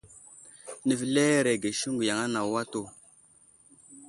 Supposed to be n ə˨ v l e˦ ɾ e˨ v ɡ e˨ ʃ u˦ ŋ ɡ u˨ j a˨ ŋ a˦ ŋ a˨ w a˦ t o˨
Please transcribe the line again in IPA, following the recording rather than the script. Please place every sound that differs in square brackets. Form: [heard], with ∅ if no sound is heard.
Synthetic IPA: n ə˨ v l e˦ ɾ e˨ [∅] ɡ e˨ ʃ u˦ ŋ ɡ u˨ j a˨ ŋ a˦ [n] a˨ w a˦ t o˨